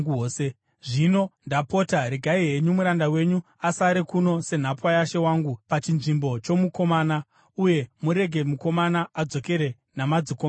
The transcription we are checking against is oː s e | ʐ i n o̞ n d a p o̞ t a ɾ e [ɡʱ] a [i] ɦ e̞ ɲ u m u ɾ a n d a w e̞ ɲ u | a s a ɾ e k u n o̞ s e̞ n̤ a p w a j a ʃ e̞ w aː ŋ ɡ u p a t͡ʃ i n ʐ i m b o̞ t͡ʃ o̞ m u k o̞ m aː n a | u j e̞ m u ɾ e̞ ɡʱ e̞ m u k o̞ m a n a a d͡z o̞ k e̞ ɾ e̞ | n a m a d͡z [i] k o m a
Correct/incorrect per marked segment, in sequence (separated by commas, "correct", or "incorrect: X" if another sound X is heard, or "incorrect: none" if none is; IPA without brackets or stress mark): correct, correct, correct